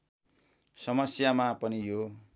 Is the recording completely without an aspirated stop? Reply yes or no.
yes